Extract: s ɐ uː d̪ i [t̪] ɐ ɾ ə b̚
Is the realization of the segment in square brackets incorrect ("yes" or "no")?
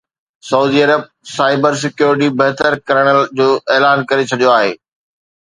yes